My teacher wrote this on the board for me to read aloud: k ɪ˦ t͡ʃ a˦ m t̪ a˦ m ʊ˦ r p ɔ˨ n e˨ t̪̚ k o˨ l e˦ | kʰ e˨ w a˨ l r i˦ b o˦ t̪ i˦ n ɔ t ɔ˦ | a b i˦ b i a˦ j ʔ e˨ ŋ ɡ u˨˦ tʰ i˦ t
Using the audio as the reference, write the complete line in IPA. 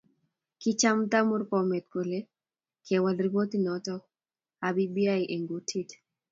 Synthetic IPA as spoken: k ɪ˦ t͡ʃ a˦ m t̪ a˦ m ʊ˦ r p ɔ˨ m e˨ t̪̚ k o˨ l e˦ | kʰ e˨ w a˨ l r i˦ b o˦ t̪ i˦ n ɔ t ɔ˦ | a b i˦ b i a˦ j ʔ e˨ ŋ ɡ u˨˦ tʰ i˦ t